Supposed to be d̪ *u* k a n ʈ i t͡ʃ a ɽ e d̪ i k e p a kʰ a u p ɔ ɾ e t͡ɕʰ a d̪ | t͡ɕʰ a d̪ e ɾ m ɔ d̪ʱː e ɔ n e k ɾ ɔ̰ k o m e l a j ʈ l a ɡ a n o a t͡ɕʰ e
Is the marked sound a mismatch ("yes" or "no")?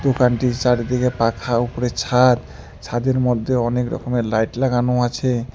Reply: yes